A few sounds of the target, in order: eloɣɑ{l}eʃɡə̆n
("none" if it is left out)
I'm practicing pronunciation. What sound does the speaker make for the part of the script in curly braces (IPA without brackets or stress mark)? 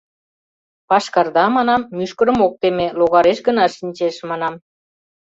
ɾ